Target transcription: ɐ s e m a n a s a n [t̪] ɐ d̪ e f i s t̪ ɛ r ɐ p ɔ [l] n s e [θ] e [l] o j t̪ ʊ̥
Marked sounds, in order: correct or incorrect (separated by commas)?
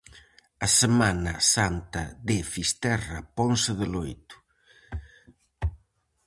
correct, incorrect, incorrect, correct